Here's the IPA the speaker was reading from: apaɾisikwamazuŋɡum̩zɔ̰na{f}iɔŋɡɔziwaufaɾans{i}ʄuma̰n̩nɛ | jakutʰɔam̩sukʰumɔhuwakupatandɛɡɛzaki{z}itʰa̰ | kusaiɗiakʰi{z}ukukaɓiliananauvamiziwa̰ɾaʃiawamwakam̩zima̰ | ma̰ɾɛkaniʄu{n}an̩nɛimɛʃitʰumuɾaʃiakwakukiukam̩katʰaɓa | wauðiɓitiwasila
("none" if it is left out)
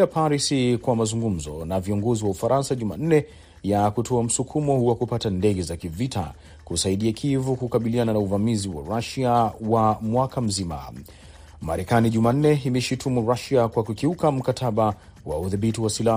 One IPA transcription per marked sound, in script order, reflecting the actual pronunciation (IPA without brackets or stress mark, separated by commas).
v, a, v, v, m